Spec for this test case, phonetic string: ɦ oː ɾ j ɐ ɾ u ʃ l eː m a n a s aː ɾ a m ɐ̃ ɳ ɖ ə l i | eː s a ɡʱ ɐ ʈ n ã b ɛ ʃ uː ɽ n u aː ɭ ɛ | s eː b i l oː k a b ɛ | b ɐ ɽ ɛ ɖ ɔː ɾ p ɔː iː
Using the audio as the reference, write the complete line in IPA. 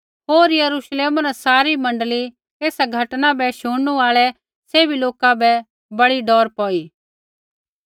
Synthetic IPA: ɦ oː ɾ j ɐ ɾ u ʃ l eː m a n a s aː ɾ i m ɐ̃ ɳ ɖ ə l i | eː s a ɡʱ ɐ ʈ n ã b ɛ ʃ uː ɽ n u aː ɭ ɛ | s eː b i l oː k a b ɛ | b ɐ ɽ i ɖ ɔː ɾ p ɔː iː